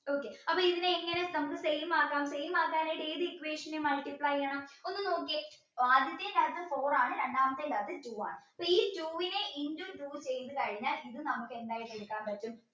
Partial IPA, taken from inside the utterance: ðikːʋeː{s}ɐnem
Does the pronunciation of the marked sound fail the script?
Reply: yes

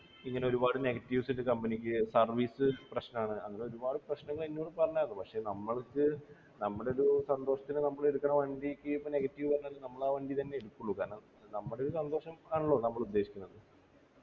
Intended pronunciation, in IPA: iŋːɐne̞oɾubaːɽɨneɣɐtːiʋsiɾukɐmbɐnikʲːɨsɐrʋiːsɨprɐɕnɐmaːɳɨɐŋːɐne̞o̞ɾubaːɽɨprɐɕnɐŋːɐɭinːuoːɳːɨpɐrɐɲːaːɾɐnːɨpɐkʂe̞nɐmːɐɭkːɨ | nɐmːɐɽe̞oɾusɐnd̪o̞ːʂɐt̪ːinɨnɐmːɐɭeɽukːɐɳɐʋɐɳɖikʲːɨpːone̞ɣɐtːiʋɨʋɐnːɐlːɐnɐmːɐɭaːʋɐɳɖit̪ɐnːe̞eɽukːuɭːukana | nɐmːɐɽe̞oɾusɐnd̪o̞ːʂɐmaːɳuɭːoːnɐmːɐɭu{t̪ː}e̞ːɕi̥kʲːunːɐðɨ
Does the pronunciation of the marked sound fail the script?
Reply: yes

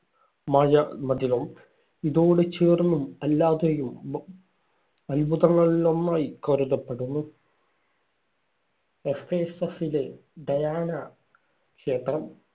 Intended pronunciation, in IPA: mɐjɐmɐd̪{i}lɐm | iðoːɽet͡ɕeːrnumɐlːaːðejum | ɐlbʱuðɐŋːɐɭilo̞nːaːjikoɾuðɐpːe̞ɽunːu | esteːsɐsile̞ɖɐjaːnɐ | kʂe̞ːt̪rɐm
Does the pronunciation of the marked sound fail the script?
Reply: no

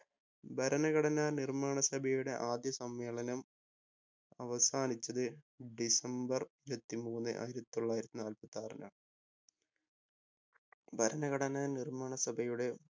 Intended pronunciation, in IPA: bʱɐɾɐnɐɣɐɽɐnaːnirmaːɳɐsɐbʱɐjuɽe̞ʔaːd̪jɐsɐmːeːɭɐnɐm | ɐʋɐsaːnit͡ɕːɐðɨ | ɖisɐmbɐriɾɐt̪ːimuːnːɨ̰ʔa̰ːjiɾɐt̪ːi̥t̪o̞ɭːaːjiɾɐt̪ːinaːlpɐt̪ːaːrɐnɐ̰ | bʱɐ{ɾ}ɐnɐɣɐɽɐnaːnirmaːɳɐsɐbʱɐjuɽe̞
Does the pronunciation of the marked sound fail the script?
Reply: no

